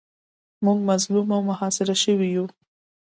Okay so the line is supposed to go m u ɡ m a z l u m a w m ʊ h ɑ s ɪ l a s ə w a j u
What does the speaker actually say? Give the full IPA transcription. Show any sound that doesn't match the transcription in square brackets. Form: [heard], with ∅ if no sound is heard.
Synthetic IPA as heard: m u ɡ m a z l u m a w m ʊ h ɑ s ɪ [ɾ] a [ʃ] ə w [i] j u